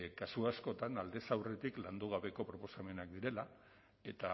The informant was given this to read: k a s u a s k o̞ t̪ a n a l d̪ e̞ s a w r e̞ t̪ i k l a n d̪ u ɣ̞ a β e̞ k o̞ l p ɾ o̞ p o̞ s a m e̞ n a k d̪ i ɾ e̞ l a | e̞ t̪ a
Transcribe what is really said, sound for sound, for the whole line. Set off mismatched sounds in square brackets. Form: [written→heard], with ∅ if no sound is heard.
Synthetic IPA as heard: k a s u a s k o̞ t̪ a n a l d̪ e̞ s a w r e̞ t̪ i k l a n d̪ u ɣ̞ a β e̞ k o̞ [l→∅] p ɾ o̞ p o̞ s a m e̞ n a k d̪ i ɾ e̞ l a | e̞ t̪ a